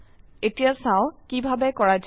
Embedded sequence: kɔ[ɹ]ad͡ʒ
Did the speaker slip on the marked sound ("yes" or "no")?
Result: no